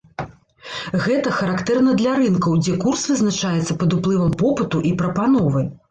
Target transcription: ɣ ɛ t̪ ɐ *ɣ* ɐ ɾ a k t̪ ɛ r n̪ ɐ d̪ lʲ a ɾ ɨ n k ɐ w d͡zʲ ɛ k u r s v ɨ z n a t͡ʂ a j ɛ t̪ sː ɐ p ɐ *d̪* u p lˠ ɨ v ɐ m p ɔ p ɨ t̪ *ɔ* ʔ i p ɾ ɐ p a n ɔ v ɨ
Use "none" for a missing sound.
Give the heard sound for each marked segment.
x, d̪, u

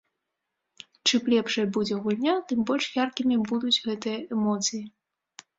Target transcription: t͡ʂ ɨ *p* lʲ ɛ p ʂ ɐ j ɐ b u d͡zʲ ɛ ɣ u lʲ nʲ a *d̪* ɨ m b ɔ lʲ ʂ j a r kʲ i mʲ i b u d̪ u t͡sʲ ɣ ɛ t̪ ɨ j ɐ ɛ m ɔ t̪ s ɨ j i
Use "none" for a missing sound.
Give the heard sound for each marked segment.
p, t̪

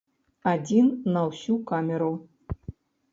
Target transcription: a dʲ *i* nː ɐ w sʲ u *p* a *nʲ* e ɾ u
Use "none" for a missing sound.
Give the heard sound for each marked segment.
i, k, mʲ

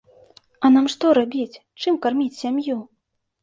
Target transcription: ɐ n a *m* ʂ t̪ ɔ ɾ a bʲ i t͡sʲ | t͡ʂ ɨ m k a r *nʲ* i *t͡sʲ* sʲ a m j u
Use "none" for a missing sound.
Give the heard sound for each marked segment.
m, mʲ, t͡sʲ

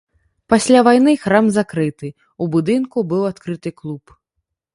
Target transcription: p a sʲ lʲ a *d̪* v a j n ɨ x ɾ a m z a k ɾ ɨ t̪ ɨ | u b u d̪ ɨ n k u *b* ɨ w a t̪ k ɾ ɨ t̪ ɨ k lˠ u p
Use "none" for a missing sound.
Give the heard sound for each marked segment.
none, b

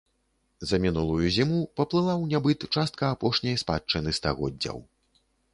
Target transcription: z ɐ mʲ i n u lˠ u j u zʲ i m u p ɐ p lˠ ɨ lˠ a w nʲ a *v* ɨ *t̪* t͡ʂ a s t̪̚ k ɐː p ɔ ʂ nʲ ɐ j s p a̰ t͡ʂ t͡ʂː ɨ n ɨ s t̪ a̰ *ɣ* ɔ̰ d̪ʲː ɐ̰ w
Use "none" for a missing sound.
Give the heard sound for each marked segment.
b, t̪, ɣ

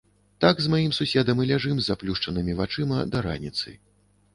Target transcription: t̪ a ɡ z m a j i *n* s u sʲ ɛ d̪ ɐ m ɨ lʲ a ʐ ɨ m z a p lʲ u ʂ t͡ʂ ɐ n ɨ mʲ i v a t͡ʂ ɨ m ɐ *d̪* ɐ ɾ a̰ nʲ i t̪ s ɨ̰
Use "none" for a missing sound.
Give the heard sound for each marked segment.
m, d̪

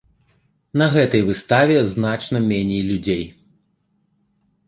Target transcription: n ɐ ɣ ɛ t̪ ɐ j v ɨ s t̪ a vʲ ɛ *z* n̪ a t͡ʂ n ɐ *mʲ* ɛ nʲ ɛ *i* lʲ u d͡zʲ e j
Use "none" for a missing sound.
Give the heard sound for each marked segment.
z, mʲ, j

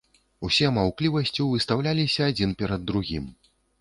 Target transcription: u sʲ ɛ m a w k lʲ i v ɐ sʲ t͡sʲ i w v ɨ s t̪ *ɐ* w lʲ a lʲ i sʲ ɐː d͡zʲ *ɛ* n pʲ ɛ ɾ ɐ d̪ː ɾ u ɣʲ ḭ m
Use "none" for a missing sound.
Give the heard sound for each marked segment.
a, i

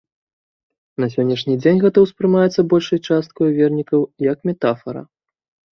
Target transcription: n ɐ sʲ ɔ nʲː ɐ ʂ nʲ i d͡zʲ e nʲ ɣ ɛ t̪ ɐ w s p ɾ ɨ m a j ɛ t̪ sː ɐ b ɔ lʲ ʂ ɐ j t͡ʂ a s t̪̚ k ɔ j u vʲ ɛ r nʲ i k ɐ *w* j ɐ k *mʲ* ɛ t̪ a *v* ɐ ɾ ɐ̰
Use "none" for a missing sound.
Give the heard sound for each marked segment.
w, mʲ, f

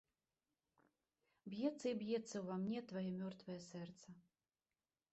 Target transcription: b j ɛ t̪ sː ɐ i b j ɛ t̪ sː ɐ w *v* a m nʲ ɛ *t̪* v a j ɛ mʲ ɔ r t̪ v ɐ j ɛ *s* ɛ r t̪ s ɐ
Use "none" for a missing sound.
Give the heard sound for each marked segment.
v, t̪, s

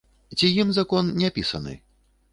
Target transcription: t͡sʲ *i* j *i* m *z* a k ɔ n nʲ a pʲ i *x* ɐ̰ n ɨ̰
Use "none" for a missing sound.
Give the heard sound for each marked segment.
i, i, z, s

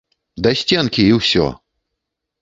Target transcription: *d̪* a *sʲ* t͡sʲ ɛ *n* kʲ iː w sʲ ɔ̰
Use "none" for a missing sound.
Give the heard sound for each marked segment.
d̪, sʲ, n

